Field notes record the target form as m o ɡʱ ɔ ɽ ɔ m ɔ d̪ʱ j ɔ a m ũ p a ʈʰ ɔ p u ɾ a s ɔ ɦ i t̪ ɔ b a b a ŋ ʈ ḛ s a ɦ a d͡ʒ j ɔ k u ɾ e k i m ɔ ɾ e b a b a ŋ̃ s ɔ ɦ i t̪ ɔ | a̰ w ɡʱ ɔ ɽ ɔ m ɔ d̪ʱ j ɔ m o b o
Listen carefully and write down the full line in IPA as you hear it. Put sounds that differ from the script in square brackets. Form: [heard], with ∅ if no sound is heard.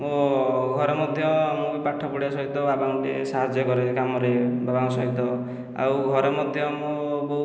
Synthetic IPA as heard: m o ɡʱ ɔ [ɾ] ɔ m ɔ d̪ʱ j ɔ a m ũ p a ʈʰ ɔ p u [ɽ] a s ɔ ɦ i t̪ ɔ b a b a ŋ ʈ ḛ s a ɦ a d͡ʒ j ɔ k [ɔ] ɾ e k [a] m ɔ ɾ e b a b a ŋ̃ s ɔ ɦ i t̪ ɔ | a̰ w ɡʱ ɔ [ɾ] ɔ m ɔ d̪ʱ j ɔ m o b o

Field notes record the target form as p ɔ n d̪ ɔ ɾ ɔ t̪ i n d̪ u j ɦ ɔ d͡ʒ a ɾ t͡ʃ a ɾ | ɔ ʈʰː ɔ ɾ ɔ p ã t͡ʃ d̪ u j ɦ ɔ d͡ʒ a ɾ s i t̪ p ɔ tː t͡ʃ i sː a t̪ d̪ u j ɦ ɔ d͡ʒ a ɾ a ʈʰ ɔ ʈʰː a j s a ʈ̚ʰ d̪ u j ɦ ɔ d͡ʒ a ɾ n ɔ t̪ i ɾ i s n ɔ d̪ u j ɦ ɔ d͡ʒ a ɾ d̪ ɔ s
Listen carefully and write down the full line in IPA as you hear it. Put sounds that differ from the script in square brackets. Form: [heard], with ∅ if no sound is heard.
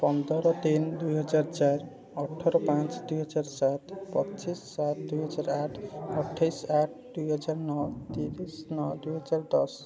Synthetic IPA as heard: p ɔ n d̪ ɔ ɾ ɔ t̪ i n d̪ u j ɦ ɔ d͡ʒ a ɾ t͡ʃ a ɾ | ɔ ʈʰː ɔ ɾ ɔ p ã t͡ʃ d̪ u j ɦ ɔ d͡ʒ a ɾ s [a] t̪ p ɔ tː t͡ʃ i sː a t̪ d̪ u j ɦ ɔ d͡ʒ a ɾ a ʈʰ ɔ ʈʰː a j s a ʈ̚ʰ d̪ u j ɦ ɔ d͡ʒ a ɾ n ɔ t̪ i ɾ i s n ɔ d̪ u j ɦ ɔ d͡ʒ a ɾ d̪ ɔ s

